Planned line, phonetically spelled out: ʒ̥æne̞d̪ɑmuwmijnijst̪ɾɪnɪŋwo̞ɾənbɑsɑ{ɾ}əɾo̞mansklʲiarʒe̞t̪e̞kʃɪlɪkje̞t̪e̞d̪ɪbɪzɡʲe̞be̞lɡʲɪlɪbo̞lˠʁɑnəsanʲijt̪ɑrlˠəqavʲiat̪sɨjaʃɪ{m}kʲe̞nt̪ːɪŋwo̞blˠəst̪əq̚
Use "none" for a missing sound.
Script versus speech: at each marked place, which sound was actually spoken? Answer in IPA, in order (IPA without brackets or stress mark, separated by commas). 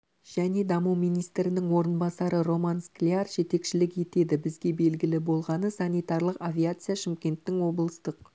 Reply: ɾ, m